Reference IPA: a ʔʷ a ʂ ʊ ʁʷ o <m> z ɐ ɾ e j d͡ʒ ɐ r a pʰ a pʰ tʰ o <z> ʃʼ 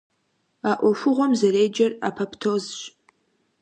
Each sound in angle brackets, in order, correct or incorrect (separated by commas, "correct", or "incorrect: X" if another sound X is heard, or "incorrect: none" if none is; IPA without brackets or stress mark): correct, correct